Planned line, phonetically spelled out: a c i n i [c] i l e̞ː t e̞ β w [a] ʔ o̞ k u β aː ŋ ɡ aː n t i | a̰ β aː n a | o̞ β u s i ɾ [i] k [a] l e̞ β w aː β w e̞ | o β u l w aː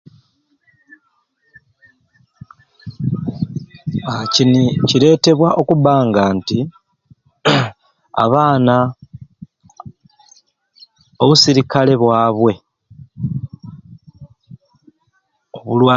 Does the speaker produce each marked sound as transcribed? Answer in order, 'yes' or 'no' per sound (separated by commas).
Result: yes, yes, yes, yes